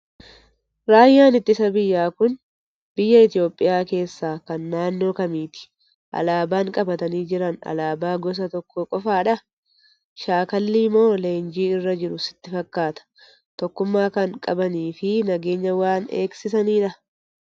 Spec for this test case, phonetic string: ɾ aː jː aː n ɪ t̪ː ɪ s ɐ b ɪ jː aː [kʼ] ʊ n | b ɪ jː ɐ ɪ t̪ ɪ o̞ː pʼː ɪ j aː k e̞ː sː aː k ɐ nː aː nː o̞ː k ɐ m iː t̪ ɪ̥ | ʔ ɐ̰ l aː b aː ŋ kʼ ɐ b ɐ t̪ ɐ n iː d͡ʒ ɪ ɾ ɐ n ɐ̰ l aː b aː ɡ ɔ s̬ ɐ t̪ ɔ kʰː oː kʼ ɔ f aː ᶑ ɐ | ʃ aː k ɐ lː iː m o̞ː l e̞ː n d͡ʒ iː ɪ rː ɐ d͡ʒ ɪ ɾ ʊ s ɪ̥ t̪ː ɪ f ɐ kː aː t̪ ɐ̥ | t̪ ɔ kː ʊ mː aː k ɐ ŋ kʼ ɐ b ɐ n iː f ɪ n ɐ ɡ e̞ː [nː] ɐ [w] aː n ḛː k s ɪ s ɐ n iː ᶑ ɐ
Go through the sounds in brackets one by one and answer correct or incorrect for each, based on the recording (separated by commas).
incorrect, incorrect, correct